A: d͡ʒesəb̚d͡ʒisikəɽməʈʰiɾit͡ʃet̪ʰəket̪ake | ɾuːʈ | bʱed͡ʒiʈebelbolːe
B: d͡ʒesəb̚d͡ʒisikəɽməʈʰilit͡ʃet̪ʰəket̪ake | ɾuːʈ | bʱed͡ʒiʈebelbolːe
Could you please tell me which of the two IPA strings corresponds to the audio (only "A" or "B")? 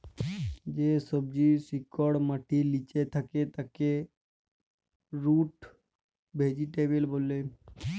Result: B